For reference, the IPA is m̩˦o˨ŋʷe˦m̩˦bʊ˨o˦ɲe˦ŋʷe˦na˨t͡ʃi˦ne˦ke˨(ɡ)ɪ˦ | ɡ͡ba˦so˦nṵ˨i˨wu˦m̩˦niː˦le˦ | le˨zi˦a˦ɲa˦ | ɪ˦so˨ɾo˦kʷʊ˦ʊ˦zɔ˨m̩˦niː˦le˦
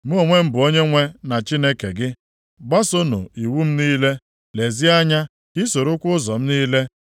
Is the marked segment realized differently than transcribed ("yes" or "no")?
no